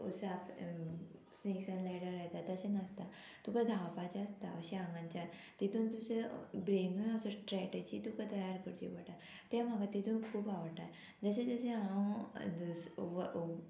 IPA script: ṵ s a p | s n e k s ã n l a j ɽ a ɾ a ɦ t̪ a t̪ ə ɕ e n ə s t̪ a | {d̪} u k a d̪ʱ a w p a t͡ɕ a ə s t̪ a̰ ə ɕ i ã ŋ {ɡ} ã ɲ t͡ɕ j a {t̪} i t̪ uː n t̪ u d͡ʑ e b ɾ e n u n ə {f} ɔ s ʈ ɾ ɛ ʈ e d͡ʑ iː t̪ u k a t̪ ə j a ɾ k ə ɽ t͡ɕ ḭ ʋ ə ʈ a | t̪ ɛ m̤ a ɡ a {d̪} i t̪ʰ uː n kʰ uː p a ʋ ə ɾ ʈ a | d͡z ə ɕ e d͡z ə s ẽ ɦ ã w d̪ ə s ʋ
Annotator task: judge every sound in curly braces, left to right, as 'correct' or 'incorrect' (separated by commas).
incorrect, correct, correct, incorrect, incorrect